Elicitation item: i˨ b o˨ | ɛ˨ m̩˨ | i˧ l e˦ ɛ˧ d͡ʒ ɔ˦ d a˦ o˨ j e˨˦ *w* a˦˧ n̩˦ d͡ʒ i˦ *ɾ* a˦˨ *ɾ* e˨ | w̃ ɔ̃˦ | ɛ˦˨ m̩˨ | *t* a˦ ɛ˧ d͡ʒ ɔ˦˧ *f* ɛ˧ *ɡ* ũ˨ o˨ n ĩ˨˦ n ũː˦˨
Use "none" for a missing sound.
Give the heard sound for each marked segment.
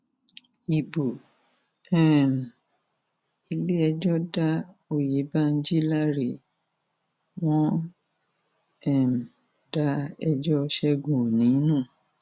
b, l, ɾ, d, ʃ, ɡ

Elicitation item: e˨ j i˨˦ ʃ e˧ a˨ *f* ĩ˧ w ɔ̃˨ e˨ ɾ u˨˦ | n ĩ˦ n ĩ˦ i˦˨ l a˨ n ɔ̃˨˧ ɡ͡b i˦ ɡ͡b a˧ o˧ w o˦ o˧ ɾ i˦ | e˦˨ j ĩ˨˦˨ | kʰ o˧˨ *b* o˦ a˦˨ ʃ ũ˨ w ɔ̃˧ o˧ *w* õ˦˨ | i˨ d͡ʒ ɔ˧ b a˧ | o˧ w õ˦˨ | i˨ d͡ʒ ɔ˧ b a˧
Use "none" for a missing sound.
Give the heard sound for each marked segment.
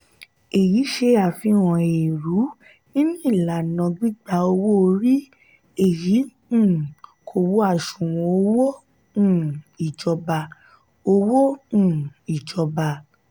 f, w, w

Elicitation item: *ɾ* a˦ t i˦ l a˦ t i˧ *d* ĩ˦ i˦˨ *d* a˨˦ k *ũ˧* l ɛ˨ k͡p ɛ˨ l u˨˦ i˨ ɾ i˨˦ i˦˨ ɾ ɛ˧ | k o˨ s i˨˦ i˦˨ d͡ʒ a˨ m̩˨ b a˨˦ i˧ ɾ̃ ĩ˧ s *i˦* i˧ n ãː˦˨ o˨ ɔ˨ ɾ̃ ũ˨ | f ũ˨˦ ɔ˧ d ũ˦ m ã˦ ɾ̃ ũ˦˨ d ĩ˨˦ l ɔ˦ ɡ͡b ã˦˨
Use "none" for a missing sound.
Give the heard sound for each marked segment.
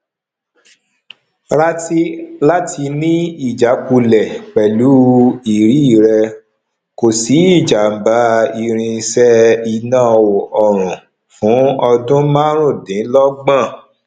ɾ, n, d͡ʒ, u˧, ɛ˦

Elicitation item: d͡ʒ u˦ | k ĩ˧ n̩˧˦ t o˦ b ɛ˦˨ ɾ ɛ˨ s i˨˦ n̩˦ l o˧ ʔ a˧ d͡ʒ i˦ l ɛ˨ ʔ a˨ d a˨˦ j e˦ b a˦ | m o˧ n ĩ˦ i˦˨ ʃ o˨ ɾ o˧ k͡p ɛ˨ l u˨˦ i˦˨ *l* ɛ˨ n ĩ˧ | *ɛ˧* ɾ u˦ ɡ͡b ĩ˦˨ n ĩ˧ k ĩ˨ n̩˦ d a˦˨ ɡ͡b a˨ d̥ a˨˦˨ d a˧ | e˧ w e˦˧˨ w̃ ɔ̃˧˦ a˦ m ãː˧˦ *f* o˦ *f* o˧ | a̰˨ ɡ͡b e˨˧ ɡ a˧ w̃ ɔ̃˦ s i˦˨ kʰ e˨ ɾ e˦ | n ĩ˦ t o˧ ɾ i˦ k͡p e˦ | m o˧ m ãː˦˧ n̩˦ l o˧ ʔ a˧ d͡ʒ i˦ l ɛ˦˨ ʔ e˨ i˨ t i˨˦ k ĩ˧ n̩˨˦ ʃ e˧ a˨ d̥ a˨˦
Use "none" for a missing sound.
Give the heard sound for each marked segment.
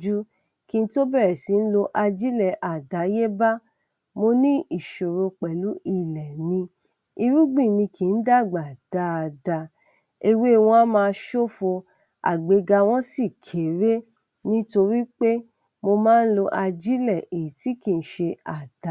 l, i˧, ʃ, f

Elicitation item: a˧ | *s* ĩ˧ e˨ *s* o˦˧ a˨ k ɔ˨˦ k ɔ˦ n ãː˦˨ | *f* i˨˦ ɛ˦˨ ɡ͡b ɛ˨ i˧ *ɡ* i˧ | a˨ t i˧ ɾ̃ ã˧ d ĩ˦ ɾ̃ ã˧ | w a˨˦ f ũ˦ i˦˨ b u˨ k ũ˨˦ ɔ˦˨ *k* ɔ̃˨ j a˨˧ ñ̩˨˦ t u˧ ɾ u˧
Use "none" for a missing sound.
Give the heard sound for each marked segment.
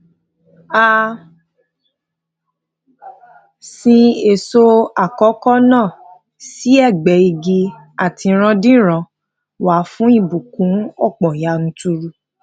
s, s, s, ɡ, k͡p

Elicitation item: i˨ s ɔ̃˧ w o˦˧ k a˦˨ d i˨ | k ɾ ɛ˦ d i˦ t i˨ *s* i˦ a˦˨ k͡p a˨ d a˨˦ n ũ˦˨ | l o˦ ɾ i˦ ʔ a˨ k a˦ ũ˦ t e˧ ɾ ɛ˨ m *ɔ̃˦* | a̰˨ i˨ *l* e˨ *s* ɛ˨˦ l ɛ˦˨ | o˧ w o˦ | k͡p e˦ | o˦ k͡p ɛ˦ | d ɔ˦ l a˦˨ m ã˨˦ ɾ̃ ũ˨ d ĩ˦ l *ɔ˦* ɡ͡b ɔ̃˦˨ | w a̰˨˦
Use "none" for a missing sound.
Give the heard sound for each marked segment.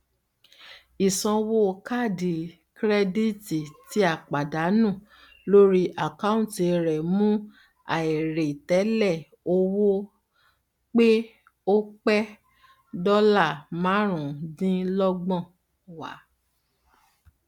t, ũ˦, ɾ, t, ɔ˦

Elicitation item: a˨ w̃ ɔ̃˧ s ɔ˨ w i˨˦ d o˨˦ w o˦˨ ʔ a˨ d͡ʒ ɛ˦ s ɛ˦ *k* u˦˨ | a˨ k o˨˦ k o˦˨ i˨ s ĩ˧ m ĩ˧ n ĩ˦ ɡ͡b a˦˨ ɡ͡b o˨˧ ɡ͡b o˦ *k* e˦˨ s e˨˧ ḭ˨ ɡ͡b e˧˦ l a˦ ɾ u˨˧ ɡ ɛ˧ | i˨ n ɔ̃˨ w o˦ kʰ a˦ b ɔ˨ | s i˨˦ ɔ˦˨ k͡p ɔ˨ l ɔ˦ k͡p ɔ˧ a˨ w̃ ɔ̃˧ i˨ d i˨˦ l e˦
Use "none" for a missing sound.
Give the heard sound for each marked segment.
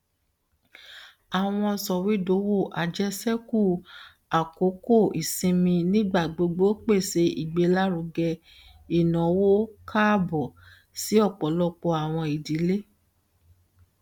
k, k͡p

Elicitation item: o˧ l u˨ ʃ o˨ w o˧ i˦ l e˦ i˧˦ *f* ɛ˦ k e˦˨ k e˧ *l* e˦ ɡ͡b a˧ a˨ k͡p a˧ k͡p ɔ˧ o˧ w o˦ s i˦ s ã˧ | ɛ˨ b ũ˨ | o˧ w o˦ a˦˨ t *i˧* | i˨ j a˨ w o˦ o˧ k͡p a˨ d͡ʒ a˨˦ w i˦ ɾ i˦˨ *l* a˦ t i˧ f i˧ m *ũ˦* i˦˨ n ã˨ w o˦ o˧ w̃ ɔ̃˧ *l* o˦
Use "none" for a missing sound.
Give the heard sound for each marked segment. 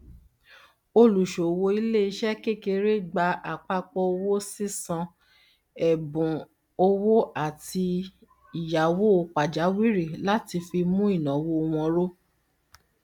ʃ, ɾ, i˧, l, ũ˦, ɾ

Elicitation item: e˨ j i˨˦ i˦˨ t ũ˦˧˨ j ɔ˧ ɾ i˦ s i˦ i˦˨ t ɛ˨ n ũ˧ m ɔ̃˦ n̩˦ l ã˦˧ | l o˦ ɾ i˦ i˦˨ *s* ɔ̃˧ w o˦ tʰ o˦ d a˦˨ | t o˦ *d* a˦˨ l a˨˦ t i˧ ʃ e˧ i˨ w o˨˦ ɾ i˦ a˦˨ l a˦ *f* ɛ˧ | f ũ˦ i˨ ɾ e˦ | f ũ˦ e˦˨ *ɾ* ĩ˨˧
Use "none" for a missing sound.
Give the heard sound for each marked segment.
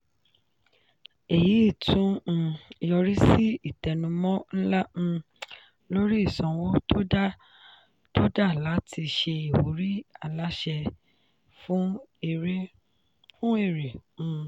s, d, ʃ, ɾ

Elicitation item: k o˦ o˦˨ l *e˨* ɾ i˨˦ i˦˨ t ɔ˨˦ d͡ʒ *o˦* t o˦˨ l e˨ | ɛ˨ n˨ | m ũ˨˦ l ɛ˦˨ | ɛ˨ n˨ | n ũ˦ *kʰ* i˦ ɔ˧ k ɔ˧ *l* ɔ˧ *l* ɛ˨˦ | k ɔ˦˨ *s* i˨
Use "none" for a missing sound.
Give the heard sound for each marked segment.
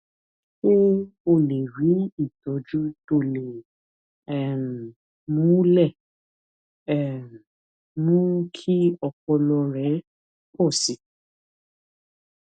e˨, u˦, kʰ, l, ɾ, s

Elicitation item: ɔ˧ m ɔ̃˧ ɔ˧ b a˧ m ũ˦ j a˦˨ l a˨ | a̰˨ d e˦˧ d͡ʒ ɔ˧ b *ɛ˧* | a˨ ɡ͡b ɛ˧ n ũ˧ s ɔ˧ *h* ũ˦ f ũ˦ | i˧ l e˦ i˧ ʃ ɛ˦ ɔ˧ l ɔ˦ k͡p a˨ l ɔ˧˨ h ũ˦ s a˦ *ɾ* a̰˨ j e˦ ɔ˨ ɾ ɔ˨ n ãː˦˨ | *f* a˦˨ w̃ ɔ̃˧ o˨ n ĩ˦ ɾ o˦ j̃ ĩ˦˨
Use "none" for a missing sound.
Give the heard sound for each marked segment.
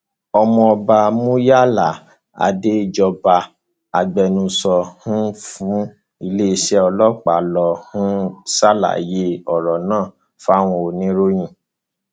a˧, h, l, f

